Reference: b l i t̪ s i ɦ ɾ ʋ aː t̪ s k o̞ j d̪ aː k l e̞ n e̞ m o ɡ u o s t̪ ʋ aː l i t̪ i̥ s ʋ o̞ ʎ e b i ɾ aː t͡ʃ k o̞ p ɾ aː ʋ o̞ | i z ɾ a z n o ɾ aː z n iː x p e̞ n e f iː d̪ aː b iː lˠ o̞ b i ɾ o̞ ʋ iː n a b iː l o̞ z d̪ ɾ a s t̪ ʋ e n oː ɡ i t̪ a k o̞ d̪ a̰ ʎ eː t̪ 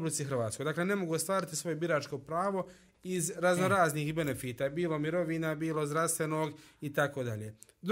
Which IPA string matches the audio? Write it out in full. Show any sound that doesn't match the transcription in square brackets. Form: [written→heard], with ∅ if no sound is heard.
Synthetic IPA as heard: b l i t̪ s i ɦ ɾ ʋ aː t̪ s k o̞ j d̪ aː k l e̞ n e̞ m o ɡ u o s t̪ ʋ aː [l→ɾ] i t̪ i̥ s ʋ o̞ [ʎ→j] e b i ɾ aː t͡ʃ k o̞ p ɾ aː ʋ o̞ | i z ɾ a z n o ɾ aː z n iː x [p→b] e̞ n e f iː [d̪→t̪] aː b iː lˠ o̞ [b→m] i ɾ o̞ ʋ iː n a b iː l o̞ z d̪ ɾ a s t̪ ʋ e n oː ɡ i t̪ a k o̞ d̪ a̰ ʎ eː [t̪→d̪]